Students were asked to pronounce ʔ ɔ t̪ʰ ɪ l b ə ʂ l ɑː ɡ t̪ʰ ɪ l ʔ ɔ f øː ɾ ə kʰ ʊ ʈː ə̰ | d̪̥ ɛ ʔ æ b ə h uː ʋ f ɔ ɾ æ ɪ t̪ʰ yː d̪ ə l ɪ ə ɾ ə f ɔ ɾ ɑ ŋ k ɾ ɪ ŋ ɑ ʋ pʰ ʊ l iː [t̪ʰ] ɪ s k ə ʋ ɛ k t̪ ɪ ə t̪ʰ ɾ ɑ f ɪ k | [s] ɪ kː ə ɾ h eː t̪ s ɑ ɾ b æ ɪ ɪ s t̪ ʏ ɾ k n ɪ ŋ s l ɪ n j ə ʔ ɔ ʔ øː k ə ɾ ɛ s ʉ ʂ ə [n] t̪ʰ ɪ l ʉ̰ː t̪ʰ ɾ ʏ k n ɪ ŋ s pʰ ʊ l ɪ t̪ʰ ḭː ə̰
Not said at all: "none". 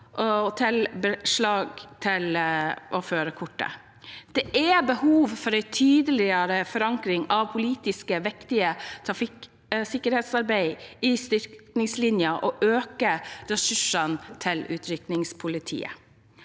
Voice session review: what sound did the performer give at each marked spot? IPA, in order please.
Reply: t̪, s, n

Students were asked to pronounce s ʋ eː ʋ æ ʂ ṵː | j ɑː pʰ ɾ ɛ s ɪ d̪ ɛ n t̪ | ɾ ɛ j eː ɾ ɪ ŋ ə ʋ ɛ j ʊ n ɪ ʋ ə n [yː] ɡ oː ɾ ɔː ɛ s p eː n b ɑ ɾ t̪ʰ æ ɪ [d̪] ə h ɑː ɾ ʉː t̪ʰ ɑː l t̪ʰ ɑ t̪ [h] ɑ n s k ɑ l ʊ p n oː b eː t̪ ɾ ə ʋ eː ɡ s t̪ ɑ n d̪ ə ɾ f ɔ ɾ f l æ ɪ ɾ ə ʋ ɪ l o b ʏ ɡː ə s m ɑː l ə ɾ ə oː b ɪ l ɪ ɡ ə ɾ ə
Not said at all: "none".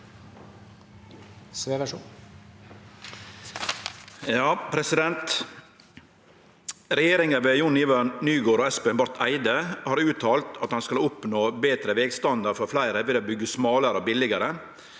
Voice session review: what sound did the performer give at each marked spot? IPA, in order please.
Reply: yː, d̪, h

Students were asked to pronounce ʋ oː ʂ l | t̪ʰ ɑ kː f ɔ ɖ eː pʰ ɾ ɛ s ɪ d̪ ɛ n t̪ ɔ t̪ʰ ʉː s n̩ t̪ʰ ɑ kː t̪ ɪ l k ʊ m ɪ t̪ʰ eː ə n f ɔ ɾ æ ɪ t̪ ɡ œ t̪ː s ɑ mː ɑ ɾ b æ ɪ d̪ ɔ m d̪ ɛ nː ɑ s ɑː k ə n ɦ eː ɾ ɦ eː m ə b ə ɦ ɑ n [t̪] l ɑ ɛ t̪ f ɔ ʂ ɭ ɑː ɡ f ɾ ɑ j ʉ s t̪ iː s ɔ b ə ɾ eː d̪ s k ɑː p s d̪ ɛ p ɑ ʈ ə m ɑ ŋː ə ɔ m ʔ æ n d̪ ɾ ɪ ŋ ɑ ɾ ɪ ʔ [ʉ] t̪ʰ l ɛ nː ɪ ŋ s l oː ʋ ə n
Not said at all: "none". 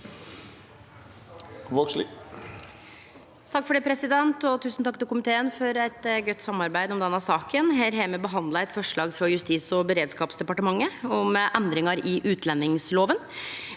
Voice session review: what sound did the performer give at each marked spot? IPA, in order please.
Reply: d̪, ʉː

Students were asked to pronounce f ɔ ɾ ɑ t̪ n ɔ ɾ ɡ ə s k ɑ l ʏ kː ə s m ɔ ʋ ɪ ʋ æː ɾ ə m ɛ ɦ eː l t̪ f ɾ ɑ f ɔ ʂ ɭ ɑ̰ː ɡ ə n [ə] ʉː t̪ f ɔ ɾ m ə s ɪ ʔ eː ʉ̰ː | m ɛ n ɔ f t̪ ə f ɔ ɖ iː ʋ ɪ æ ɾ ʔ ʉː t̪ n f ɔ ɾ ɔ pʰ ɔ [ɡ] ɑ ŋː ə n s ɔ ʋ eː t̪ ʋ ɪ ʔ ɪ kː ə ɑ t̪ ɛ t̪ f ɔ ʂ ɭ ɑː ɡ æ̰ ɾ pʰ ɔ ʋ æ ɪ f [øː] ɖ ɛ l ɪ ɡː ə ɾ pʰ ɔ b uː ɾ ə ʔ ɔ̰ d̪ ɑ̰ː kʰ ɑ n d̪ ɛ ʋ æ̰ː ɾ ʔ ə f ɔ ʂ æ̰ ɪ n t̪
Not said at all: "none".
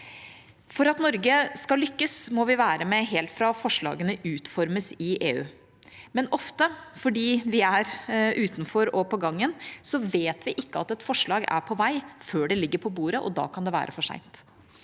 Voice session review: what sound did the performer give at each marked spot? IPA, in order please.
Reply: ə, ɡ, øː

